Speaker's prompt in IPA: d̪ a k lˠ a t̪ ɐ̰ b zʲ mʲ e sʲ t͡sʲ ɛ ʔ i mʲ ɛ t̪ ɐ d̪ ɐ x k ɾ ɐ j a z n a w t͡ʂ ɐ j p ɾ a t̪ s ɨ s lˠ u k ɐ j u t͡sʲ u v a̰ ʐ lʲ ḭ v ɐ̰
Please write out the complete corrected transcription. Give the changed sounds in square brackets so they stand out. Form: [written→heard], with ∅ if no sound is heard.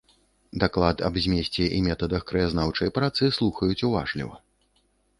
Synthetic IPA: d̪ a k lˠ a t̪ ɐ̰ b zʲ mʲ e sʲ t͡sʲ ɛ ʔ i mʲ ɛ t̪ ɐ d̪ ɐ x k ɾ ɐ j a z n a w t͡ʂ ɐ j p ɾ a t̪ s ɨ s lˠ u [k→x] ɐ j u t͡sʲ u v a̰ ʐ lʲ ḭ v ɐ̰